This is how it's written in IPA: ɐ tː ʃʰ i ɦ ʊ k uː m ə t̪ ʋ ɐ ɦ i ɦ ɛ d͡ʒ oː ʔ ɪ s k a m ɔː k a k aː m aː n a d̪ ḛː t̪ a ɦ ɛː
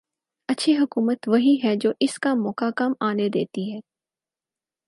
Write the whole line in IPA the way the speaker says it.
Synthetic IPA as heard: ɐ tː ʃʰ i ɦ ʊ k uː m ə t̪ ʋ ɐ ɦ i ɦ ɛ d͡ʒ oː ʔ ɪ s k a m ɔː k a k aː m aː n e d̪ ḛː t̪ i ɦ ɛː

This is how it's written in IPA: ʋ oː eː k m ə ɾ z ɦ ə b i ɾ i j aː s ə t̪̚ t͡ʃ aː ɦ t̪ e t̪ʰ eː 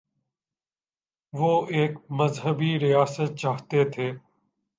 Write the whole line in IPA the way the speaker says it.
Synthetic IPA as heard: ʋ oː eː k m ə z ɦ ə b i ɾ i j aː s ə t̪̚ t͡ʃ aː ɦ t̪ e t̪ʰ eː

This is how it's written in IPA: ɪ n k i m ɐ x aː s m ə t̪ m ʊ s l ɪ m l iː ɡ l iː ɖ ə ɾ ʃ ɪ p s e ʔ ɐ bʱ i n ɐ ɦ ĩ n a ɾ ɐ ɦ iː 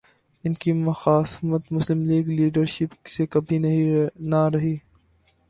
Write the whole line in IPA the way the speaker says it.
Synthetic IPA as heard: ɪ n k i m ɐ x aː s m ə t̪ m ʊ s l ɪ m l iː ɡ l iː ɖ ə ɾ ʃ ɪ p s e k ɐ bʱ i n ɐ ɦ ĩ n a ɾ ɐ ɦ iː

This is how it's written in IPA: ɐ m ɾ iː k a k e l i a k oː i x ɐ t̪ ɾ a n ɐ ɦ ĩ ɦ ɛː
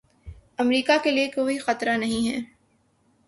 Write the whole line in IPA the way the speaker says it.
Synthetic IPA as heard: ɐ m ɾ iː k a k e l i e k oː i x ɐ t̪ ɾ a n ɐ ɦ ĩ ɦ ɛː

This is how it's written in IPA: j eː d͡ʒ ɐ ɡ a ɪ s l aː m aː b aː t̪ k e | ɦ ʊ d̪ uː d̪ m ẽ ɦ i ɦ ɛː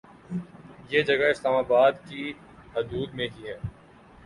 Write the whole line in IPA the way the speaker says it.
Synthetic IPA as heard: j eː d͡ʒ ɐ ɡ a ɪ s l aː m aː b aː d̪ k i | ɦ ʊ d̪ uː d̪ m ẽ ɦ i ɦ ɛː

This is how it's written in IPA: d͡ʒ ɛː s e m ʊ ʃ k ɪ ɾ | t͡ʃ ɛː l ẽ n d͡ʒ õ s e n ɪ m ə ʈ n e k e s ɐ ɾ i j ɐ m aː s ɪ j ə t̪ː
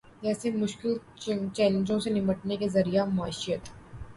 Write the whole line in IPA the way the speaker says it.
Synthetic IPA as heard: d͡ʒ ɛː s e m ʊ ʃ k ɪ l | t͡ʃ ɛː l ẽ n d͡ʒ õ s e n ɪ m ə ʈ n e k e z ɐ ɾ i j a m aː ʃ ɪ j ə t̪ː

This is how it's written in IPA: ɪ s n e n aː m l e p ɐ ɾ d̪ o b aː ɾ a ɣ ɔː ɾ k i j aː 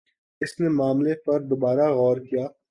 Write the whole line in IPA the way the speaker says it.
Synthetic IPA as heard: ɪ s n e m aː m l e p ɐ ɾ d̪ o b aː ɾ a ɣ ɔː ɾ k i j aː

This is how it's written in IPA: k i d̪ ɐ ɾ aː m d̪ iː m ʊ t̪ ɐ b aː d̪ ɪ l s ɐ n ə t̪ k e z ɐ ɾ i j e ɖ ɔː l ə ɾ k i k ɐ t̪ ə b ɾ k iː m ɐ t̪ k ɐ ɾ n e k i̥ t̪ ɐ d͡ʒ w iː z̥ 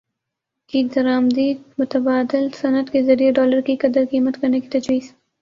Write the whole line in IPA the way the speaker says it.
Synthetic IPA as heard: k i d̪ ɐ ɾ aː m d̪ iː m ʊ t̪ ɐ b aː d̪ ɪ l s ɐ n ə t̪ k e z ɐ ɾ i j e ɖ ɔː l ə ɾ k i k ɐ d̪ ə ɾ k iː m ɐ t̪ k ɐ ɾ n e k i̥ t̪ ɐ d͡ʒ w iː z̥

